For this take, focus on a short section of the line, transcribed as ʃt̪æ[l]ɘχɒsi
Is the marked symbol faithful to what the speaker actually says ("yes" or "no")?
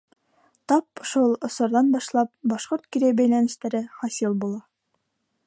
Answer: no